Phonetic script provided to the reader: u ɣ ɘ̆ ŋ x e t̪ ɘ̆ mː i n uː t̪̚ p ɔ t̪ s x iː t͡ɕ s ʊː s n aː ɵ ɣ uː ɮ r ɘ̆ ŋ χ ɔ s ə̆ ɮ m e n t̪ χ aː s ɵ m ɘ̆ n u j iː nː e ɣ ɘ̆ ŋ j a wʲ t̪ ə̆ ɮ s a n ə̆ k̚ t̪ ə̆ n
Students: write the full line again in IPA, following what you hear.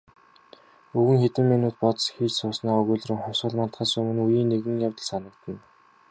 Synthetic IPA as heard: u ɣ ɘ̆ ŋ x e t̪ ɘ̆ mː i n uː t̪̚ p ɔ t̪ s x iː t͡ɕ s ʊː s n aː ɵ ɣ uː ɮ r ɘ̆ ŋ χ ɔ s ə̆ ɮ m a n t̪ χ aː s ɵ m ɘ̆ n u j iː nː e ɣ ɘ̆ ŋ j a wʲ t̪ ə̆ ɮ s a n ə̆ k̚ t̪ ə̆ n